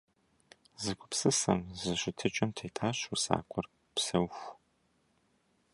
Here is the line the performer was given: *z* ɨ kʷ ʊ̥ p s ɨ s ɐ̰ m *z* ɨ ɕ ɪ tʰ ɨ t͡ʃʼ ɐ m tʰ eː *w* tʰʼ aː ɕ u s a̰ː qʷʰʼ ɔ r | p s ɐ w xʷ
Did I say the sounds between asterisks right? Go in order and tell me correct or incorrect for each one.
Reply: correct, correct, incorrect

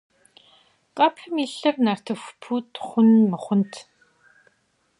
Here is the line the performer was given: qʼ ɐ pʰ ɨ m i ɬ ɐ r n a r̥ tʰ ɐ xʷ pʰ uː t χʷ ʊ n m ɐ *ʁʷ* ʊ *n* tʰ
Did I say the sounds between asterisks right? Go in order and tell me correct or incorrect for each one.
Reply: incorrect, correct

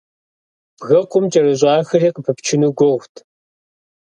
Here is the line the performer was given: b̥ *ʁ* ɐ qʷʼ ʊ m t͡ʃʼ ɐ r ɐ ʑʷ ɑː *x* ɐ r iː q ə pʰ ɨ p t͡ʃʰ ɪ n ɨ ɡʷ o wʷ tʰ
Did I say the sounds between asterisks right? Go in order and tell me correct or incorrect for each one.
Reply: incorrect, correct

